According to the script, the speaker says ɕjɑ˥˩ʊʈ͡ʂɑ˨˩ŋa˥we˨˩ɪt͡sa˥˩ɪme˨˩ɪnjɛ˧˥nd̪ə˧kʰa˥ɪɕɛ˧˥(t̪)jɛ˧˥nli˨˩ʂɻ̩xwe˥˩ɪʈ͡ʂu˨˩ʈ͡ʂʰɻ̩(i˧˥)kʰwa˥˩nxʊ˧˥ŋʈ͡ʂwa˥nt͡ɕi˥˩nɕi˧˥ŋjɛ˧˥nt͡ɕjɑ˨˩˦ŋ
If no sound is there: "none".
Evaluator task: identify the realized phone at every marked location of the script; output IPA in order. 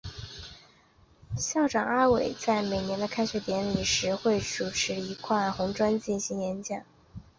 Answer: t̪, i˧˥

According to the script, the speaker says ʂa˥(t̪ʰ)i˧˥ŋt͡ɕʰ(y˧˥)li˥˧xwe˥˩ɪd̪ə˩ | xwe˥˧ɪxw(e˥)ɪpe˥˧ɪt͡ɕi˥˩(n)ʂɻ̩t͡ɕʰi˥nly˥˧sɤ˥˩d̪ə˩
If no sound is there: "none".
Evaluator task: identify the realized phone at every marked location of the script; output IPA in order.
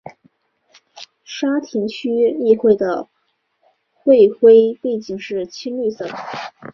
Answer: t̪ʰ, y˥, e˥, ŋ

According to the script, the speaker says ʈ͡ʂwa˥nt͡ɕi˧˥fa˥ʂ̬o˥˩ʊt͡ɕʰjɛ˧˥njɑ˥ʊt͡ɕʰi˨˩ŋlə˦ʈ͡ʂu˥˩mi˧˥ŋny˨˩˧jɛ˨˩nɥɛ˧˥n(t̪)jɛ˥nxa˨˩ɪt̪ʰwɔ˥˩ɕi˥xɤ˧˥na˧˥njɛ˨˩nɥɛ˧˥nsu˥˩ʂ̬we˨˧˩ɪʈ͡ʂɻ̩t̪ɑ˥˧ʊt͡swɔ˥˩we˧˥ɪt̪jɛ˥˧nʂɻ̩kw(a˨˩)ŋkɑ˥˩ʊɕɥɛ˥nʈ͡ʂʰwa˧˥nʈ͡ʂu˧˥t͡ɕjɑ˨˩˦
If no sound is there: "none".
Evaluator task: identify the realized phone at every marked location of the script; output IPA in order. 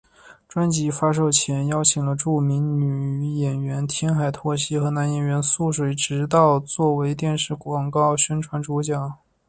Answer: t̪ʰ, ɑ˨˩

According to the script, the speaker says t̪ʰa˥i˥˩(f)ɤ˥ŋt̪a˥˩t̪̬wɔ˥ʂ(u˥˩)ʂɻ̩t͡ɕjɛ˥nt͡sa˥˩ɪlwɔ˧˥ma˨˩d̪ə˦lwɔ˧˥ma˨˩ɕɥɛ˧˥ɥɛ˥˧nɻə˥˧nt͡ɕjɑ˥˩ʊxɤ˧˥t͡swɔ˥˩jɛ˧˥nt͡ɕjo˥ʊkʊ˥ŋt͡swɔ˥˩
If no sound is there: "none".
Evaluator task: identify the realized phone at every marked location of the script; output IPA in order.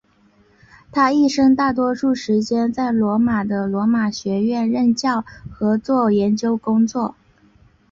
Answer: ʂ, u˥˩

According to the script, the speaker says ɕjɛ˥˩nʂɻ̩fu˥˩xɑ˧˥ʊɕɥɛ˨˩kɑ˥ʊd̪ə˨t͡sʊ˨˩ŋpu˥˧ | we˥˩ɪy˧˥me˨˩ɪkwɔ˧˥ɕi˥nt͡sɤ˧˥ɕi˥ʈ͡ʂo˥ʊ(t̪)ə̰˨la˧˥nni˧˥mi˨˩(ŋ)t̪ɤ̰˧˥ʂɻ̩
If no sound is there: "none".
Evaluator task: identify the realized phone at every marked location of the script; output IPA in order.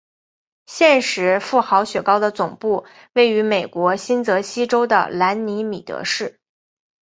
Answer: d̪, none

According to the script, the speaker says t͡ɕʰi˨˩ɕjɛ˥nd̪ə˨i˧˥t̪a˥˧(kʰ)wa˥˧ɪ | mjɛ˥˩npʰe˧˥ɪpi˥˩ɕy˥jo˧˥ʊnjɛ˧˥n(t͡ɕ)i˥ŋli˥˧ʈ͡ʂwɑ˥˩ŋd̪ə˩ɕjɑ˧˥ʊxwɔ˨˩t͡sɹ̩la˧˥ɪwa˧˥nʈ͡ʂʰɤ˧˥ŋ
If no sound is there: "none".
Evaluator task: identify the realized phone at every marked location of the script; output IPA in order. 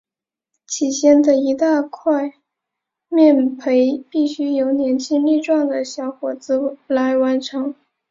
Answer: kʰ, t͡ɕʰ

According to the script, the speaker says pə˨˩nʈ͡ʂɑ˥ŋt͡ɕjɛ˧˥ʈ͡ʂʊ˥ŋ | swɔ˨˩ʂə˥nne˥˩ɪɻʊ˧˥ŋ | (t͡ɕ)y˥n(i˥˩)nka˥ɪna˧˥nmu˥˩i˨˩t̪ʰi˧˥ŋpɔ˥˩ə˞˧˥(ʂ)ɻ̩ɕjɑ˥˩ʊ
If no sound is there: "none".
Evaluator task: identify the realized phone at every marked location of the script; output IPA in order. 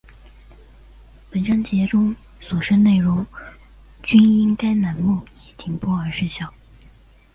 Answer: t͡ɕ, i˥, ʂ

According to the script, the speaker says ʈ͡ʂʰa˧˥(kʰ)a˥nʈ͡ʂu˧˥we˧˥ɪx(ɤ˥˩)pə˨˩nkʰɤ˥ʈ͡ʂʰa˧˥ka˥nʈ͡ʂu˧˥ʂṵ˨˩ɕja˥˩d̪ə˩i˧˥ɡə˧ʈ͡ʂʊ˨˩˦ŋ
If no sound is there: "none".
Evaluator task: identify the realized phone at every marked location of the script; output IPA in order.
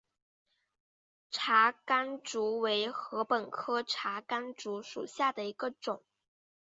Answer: k, ɤ˧˥

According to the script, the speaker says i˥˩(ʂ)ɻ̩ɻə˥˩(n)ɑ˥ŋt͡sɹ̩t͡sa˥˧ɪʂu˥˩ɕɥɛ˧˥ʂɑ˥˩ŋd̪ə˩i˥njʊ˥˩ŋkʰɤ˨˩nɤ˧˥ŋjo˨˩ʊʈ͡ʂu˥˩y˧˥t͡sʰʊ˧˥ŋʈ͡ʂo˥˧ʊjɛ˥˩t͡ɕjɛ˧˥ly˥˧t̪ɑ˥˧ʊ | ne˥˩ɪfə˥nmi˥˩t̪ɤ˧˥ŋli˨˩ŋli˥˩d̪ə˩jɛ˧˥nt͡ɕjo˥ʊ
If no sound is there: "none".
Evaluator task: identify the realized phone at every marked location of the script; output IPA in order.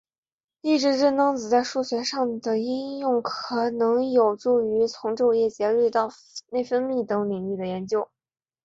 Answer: ʈ͡ʂ, n

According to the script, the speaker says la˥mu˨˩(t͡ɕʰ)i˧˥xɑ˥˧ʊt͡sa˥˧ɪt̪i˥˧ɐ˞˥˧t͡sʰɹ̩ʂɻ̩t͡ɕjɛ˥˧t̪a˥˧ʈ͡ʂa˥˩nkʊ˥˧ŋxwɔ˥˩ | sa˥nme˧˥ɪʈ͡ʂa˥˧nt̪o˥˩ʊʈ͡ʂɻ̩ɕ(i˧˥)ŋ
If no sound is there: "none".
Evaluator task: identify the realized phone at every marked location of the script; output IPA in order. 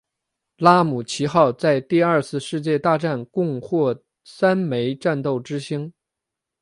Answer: t͡ɕʰ, i˥

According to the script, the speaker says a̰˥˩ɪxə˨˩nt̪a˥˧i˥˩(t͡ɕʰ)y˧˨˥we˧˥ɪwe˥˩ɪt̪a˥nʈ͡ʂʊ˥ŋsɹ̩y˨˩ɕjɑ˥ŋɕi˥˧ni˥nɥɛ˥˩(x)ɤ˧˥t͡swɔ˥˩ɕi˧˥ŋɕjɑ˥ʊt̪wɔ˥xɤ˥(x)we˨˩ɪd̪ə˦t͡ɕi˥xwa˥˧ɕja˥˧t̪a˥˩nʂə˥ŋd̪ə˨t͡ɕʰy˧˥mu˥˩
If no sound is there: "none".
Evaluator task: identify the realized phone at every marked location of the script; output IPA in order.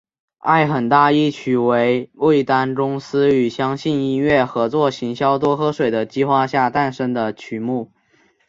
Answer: t͡ɕʰ, x, ʂ

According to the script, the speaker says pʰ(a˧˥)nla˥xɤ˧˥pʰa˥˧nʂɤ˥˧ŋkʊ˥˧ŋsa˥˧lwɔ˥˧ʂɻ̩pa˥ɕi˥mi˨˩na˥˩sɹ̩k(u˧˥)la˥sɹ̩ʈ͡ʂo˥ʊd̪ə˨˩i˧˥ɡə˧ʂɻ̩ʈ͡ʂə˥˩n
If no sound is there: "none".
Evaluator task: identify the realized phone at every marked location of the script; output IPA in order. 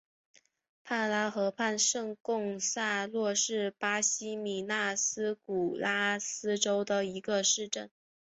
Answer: a˥˩, u˨˩

